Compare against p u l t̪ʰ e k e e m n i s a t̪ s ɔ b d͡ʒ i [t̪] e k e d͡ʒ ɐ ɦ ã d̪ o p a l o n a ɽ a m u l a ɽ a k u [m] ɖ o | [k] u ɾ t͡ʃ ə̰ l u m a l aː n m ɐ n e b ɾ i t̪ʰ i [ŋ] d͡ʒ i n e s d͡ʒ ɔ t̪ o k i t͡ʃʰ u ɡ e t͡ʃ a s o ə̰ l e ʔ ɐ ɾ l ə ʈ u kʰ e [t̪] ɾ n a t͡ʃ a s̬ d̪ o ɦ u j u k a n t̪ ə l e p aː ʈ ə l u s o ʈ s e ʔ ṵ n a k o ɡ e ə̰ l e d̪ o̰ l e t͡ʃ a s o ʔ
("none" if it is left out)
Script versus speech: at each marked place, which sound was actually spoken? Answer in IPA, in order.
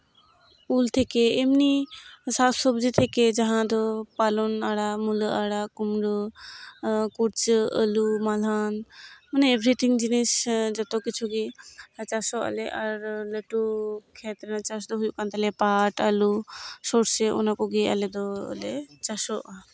t̪ʰ, m, k, ŋ, t̪

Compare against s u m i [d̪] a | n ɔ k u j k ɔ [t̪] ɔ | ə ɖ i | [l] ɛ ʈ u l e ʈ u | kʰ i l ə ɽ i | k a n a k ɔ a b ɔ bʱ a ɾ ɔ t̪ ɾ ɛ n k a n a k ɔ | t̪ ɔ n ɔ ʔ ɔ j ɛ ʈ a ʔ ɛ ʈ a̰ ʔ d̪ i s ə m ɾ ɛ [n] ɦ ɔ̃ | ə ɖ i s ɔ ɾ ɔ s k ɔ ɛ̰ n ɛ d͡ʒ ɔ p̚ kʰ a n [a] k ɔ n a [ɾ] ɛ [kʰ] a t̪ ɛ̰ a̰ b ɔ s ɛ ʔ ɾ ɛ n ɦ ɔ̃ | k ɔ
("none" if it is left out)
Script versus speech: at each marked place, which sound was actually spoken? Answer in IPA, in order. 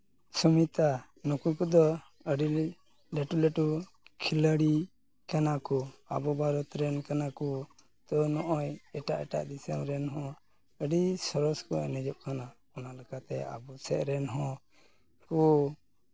t̪, d̪, l, n, a, l, k

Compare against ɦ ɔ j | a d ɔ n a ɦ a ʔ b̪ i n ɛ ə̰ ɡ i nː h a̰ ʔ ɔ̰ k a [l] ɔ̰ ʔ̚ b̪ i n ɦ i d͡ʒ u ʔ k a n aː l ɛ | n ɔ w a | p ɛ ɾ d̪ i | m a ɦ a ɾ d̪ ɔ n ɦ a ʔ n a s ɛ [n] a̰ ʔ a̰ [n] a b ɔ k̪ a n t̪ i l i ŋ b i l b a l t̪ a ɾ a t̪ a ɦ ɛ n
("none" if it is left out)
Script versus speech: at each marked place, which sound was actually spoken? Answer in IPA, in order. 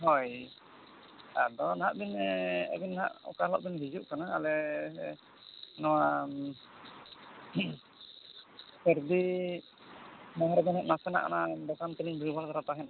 l, n, n

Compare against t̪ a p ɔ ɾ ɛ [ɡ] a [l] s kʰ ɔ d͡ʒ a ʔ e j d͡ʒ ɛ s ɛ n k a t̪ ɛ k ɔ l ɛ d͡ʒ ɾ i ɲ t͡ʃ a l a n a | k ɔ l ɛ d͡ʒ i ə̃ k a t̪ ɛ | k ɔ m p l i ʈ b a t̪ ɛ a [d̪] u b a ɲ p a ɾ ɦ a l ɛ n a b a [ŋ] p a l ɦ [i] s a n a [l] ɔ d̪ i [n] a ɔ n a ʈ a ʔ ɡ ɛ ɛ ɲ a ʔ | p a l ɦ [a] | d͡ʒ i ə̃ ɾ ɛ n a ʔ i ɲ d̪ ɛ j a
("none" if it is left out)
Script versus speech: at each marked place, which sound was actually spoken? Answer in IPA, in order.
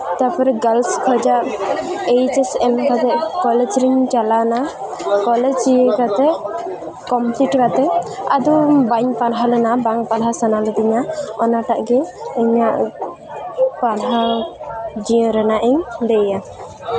ɡ, l, d̪, ŋ, a, l, ɲ, a

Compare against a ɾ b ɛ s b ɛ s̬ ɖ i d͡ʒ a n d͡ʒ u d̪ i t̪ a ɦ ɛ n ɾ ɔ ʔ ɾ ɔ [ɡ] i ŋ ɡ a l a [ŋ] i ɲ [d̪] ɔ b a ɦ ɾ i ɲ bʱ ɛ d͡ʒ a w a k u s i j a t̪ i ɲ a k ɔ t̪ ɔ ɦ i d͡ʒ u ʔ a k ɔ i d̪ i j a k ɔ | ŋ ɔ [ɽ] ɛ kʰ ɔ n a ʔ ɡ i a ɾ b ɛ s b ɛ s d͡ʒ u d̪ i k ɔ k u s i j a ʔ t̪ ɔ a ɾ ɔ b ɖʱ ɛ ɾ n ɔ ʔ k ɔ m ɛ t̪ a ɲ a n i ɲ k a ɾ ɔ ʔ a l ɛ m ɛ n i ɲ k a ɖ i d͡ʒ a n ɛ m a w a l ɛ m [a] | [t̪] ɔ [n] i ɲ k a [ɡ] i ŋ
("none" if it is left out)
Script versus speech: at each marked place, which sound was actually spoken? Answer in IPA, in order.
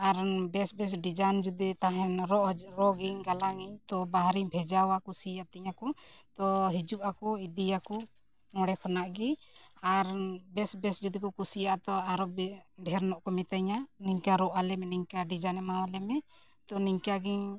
ɡ, ŋ, t̪, ɽ, ɛ, t̪, n, ɡ

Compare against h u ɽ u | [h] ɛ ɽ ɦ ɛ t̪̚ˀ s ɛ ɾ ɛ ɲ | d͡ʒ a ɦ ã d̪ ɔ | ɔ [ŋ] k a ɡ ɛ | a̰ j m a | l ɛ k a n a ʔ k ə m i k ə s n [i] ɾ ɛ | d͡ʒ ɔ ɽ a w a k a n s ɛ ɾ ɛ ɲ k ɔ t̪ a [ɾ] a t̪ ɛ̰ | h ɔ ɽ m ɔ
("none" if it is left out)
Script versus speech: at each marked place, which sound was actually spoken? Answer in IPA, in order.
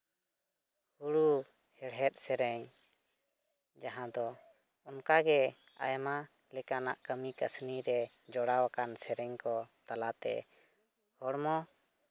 h, n, i, l

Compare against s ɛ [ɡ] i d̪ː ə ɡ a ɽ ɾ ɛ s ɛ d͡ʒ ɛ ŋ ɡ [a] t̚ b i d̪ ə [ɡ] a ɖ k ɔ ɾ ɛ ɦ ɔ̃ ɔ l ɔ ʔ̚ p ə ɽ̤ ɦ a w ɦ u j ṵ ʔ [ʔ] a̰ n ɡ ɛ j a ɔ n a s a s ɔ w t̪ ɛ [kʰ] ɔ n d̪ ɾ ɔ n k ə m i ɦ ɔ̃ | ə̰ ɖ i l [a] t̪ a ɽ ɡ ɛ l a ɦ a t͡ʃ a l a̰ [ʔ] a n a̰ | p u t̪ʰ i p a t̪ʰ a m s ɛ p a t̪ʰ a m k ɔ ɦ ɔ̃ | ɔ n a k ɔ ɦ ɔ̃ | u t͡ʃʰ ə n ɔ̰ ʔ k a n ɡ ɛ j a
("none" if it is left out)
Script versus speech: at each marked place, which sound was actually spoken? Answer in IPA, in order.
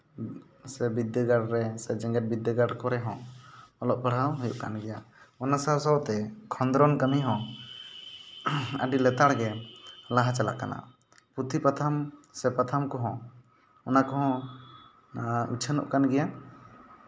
b, ɛ, ɡ, k, kʰ, ɛ, k

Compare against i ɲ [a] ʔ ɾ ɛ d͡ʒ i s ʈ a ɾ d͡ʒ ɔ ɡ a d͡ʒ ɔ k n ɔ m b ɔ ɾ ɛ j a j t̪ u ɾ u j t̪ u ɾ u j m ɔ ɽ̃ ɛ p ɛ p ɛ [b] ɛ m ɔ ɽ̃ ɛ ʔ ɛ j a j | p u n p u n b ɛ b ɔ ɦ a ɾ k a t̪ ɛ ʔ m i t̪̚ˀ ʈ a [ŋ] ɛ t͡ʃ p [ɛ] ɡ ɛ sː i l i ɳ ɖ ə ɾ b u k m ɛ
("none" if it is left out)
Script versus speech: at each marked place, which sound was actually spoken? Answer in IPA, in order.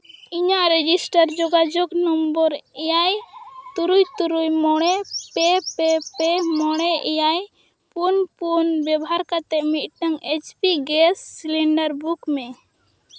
a, p, ŋ, i

